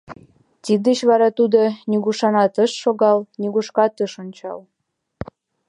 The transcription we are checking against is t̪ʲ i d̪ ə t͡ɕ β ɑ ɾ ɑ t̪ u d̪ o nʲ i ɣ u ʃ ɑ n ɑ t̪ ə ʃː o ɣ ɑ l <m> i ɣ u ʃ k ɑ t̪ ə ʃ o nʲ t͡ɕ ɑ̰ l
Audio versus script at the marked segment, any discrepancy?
yes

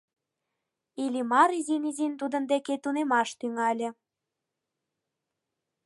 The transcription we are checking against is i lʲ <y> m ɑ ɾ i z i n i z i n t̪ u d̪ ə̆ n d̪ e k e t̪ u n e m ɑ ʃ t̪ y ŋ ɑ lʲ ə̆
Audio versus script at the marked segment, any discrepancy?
yes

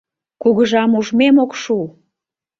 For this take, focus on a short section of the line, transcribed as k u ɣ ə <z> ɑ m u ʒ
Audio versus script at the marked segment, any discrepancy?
yes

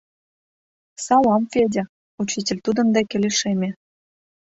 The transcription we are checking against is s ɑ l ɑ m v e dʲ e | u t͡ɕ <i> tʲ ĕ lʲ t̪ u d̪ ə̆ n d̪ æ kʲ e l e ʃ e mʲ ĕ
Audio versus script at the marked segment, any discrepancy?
no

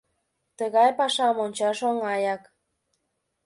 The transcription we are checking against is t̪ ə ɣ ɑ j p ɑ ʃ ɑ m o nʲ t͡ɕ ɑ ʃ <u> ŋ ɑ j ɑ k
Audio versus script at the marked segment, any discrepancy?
yes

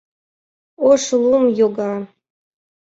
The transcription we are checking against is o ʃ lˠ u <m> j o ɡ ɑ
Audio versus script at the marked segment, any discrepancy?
no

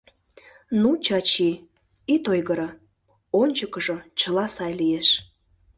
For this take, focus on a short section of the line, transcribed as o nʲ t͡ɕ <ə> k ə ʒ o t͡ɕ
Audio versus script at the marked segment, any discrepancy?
no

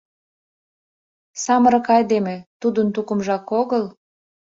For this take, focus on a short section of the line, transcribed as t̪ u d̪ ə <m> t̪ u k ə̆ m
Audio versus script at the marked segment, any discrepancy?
yes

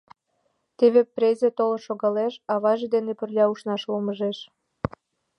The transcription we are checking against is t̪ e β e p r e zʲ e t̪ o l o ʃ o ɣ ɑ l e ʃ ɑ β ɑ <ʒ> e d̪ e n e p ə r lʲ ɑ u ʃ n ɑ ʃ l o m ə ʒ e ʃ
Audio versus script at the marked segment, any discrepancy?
no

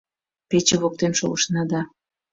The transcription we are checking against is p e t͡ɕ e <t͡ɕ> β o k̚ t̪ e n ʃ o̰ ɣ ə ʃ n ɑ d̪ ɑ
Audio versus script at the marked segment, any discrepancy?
yes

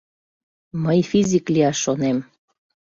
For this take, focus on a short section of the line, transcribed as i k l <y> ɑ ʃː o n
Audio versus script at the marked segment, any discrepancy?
yes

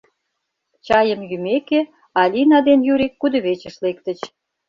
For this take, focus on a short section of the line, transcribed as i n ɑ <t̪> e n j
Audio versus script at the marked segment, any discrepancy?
yes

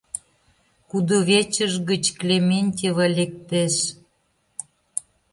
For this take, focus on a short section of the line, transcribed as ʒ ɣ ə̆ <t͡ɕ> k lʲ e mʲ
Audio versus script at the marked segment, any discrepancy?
no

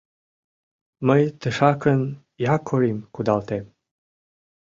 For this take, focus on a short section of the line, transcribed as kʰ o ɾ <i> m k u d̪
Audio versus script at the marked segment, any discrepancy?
no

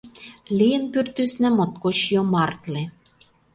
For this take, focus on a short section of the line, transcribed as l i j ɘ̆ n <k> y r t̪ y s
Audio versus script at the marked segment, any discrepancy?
yes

